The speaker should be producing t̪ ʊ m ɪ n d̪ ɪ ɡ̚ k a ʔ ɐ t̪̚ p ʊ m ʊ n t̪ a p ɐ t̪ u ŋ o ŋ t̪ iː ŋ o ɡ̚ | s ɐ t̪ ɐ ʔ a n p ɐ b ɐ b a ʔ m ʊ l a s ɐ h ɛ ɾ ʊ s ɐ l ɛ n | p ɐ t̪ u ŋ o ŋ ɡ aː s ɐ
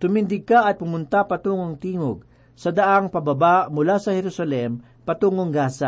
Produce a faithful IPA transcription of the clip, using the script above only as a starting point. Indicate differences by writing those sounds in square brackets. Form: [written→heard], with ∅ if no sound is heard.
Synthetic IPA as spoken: t̪ ʊ m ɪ n d̪ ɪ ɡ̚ k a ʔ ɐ t̪̚ p ʊ m ʊ n t̪ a p ɐ t̪ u ŋ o ŋ t̪ iː ŋ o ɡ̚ | s ɐ [t̪→d̪] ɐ ʔ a [n→ŋ] p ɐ b ɐ b a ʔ m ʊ l a s ɐ h ɛ ɾ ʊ s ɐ l ɛ [n→m] | p ɐ t̪ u ŋ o ŋ ɡ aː s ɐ